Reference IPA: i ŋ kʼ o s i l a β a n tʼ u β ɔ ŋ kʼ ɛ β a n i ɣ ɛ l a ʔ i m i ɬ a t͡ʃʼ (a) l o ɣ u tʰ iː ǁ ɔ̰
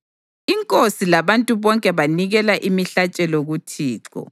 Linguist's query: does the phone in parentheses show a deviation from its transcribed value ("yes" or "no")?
yes